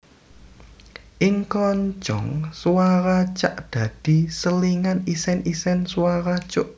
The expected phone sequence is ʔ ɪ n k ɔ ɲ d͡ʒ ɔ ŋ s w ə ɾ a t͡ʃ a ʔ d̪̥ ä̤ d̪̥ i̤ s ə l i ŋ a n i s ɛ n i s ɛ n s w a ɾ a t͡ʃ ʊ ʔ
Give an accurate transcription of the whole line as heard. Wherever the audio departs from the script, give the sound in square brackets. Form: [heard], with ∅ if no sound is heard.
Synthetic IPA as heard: ʔ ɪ [ŋ] k ɔ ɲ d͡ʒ ɔ ŋ s w [a] ɾ a t͡ʃ a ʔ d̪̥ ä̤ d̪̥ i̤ s ə l i ŋ a n i s ɛ n i s ɛ n s w a ɾ a t͡ʃ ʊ ʔ

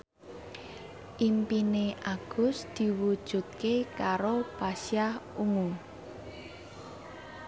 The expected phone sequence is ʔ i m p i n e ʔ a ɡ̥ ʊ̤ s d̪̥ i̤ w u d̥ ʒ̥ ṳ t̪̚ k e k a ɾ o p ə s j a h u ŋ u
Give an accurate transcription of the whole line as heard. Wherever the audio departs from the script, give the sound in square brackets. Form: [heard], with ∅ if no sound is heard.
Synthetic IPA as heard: ʔ i m p i n e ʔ a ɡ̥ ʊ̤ s d̪̥ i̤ w u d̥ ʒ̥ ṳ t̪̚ k e k a ɾ o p [a] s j a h u ŋ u

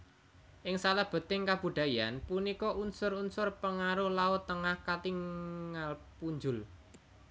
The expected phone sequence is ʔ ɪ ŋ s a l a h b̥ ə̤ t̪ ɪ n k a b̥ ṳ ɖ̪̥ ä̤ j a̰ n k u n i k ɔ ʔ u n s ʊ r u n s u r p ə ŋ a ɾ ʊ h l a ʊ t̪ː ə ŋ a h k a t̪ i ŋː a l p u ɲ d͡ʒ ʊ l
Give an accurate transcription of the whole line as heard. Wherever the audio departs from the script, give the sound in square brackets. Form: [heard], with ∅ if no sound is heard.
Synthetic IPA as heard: ʔ ɪ ŋ s a l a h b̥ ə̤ t̪ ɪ [ŋ] k a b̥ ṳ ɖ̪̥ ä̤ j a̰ n [p] u n i k ɔ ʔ u n s ʊ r u n s [ʊ] r p ə ŋ a ɾ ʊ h l a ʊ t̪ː ə ŋ a h k a t̪ i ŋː a l p u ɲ d͡ʒ ʊ l

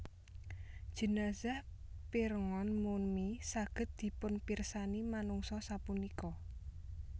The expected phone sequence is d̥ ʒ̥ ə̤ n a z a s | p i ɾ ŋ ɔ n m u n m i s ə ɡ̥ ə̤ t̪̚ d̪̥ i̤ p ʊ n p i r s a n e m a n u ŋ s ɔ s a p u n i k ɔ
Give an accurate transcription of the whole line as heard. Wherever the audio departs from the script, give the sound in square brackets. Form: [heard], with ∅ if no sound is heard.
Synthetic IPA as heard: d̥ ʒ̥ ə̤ n a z a [h] | p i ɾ ŋ ɔ n m u n m i s [a] ɡ̥ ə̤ t̪̚ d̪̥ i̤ p ʊ n p i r s a n [i] m a n u ŋ s ɔ s a p u n i k ɔ

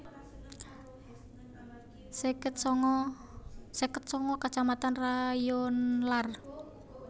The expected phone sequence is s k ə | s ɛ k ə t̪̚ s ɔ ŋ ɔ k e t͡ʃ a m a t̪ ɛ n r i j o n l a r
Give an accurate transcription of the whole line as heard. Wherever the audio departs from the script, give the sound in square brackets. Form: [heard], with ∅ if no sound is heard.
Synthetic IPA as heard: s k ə | s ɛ k ə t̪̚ s ɔ ŋ ɔ k [a] t͡ʃ a m a t̪ [a] n r [a] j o n l a r

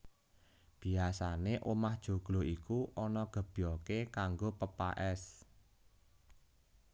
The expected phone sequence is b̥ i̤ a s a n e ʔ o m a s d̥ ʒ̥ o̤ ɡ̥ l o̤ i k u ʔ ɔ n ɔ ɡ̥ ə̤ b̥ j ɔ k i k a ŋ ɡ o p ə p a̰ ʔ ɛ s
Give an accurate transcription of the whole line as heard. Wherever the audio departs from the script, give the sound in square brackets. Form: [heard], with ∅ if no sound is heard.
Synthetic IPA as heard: b̥ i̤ a s a n e ʔ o m a [h] d̥ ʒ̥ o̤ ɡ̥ l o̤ i k u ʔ ɔ n ɔ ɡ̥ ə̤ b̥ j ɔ k [e] k a ŋ ɡ o p ə p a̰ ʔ ɛ s

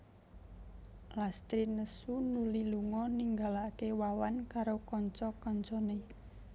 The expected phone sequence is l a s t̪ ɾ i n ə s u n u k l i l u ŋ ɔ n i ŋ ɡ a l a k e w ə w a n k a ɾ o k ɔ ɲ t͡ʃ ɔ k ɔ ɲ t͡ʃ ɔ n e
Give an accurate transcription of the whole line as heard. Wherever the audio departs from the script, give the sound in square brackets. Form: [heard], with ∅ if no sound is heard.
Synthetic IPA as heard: l a s t̪ ɾ i n ə s u n u [∅] l i l u ŋ ɔ n i ŋ ɡ a l a k e w [a] w a n k a ɾ o k ɔ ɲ t͡ʃ ɔ k ɔ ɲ t͡ʃ ɔ n e

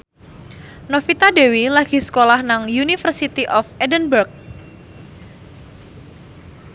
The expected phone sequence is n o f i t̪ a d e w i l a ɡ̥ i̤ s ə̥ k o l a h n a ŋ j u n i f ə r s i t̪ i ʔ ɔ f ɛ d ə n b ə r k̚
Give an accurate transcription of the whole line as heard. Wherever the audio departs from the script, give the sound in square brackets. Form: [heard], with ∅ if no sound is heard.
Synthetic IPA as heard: n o f i t̪ a d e w i l a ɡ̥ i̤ s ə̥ k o l a h n a ŋ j u n i f ə r s i t̪ i ʔ ɔ f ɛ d ə n b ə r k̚

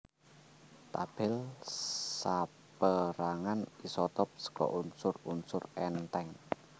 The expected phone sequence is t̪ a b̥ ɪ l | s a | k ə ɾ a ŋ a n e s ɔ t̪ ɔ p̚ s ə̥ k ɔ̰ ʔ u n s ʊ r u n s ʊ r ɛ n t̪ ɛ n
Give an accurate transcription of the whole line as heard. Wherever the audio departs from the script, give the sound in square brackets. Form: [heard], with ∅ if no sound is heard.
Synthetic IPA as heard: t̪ a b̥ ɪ l | s a | [p] ə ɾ a ŋ a n [i] s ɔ t̪ ɔ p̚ s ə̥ k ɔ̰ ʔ u n s ʊ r u n s ʊ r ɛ n t̪ ɛ [ŋ]

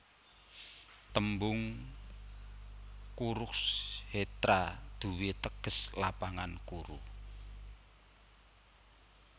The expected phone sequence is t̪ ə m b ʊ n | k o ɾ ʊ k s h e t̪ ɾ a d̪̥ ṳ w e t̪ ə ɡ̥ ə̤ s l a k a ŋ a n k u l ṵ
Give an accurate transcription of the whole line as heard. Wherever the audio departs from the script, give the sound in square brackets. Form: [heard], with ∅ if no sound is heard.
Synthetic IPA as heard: t̪ ə m b ʊ [ŋ] | k [u] ɾ ʊ k s h e t̪ ɾ a d̪̥ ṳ w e t̪ ə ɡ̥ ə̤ s l a [p] a ŋ a n k u [ɾ] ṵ

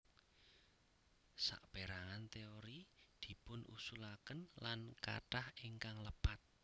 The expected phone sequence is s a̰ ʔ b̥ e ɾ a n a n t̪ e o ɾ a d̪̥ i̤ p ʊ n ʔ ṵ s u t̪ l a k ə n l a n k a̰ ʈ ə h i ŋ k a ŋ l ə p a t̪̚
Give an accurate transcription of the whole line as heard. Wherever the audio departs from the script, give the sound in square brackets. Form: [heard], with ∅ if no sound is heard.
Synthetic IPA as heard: s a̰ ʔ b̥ e ɾ a [ŋ] a n t̪ e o ɾ [i] d̪̥ i̤ p ʊ n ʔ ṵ s u [∅] l a k ə n l a n k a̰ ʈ [a] h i ŋ k a ŋ l ə p a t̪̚

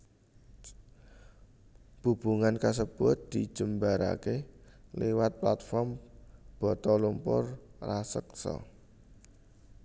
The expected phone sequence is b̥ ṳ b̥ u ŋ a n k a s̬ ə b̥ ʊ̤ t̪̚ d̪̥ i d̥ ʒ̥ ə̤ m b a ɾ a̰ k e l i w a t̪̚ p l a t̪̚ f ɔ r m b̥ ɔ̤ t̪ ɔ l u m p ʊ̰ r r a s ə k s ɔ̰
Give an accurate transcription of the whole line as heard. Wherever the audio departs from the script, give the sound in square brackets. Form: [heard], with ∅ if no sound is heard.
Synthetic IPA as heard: b̥ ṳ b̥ u ŋ a n k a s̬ ə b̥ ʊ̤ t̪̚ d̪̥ i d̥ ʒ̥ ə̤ m b a ɾ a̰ k e l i w a t̪̚ p l a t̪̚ f ɔ r m b̥ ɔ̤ t̪ ɔ l u m p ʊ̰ r r a s ə k s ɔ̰

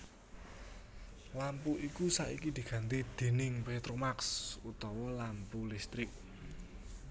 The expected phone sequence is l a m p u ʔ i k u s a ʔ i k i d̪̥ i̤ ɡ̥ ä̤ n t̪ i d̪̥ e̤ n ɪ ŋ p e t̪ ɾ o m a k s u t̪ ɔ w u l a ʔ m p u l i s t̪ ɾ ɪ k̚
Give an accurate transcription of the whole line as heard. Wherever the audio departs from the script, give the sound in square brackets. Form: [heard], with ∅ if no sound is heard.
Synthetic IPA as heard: l a m p u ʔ i k u s a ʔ i k i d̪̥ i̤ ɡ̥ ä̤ n t̪ i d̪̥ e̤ n ɪ ŋ p e t̪ ɾ o m a k s u t̪ ɔ w [ɔ] l a [∅] m p u l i s t̪ ɾ ɪ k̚

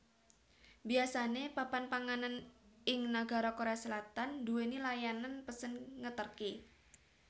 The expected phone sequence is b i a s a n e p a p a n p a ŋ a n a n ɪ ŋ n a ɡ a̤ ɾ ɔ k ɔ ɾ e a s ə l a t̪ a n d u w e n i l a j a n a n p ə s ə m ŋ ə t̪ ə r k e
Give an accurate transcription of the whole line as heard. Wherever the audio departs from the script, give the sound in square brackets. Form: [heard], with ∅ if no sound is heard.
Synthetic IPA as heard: b i a s a n e p a p a n p a ŋ a n a n ɪ ŋ n a ɡ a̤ ɾ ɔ k [o] ɾ e a s ə l a t̪ a n d u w e n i l a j a n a n p ə s ə [n] ŋ ə t̪ ə r k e

